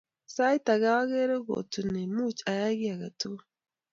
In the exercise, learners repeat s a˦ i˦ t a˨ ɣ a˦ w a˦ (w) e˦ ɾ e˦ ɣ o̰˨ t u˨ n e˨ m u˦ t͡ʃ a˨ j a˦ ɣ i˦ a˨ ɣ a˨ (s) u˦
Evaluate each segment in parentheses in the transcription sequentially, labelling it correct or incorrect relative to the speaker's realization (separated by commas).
incorrect, incorrect